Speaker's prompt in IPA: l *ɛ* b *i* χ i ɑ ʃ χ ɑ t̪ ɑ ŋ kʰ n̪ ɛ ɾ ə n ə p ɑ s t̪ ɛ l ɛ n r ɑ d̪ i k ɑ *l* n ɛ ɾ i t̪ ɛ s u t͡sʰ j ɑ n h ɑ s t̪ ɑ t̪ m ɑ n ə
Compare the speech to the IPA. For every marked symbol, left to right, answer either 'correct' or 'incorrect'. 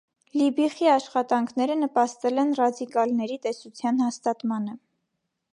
incorrect, correct, correct

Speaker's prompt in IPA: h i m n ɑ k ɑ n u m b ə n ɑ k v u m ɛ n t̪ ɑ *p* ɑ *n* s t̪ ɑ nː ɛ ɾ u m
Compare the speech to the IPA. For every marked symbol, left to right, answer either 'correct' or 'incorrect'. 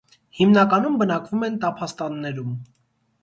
incorrect, incorrect

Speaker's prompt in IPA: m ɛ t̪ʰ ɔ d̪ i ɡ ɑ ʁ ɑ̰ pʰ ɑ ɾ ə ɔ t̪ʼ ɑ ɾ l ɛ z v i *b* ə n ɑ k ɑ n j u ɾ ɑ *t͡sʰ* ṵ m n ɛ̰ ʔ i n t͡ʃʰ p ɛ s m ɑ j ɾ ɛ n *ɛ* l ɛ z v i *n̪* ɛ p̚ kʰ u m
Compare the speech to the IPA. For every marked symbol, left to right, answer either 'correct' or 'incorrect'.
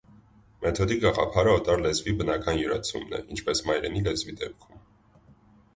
correct, correct, incorrect, incorrect

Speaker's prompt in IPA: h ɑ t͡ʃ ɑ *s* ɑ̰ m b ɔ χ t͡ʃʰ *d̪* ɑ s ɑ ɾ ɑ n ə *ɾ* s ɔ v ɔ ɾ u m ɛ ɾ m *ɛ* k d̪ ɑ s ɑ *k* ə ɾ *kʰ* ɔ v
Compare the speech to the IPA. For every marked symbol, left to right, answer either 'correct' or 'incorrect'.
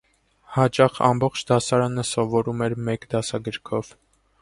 incorrect, correct, incorrect, correct, incorrect, correct

